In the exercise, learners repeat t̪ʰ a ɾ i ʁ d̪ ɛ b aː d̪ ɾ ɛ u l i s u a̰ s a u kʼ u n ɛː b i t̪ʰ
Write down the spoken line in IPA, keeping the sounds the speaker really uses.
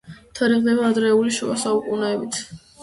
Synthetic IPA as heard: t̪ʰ a ɾ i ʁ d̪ ɛ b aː d̪ ɾ ɛ u l i ʃ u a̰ s a u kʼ u n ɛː b i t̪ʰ